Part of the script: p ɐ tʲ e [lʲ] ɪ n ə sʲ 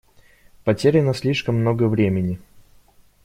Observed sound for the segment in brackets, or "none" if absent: ɾʲ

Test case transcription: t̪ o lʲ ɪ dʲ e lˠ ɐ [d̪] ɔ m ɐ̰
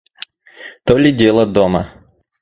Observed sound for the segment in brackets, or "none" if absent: d̪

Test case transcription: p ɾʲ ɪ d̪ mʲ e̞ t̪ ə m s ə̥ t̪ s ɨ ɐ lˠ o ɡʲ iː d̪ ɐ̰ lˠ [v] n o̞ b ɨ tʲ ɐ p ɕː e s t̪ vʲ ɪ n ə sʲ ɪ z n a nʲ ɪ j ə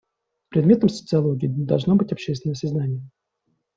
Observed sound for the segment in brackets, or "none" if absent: ʐ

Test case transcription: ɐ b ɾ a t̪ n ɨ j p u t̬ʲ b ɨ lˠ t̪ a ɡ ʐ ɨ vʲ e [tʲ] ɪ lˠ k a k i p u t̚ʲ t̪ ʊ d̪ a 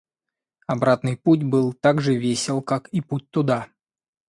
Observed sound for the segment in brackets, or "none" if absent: sʲ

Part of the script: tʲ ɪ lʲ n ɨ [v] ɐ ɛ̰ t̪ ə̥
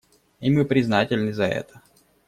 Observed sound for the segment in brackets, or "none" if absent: z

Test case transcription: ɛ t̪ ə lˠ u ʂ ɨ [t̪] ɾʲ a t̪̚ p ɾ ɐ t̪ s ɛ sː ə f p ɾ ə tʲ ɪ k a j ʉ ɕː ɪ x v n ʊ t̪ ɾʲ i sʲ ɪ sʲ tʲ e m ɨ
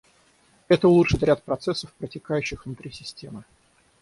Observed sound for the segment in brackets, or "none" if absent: t̪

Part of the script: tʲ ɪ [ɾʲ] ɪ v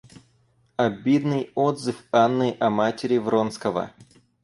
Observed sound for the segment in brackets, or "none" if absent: ɾʲ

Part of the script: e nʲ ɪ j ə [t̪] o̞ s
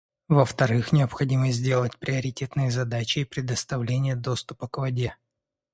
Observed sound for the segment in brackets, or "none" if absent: d̪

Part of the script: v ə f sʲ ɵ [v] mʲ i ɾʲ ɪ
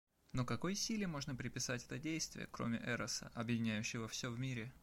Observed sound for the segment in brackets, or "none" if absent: v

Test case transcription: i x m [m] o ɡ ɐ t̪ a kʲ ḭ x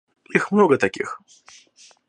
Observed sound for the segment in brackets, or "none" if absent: n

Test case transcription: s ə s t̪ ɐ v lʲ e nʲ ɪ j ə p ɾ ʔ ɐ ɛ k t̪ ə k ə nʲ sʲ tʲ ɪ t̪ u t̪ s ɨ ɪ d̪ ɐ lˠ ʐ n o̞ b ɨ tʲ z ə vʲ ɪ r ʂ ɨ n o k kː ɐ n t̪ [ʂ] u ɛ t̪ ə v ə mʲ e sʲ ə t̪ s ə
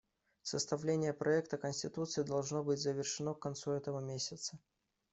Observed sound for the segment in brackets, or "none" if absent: s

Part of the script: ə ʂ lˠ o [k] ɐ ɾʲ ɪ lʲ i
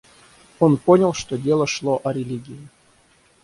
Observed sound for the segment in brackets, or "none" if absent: ʔ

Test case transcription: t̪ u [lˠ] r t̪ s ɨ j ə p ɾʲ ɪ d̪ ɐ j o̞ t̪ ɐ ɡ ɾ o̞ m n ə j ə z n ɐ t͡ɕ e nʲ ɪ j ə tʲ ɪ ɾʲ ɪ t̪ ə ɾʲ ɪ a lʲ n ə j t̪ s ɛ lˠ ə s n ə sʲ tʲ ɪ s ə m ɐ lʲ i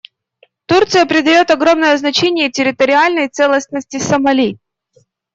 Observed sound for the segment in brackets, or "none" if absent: none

